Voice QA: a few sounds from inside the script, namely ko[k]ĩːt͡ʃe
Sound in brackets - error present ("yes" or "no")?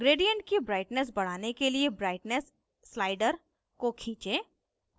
yes